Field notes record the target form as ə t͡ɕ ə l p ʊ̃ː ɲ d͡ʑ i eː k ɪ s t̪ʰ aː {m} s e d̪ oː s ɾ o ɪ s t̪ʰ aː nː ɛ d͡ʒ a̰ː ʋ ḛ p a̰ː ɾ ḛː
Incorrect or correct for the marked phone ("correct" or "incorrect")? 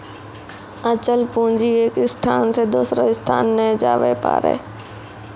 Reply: incorrect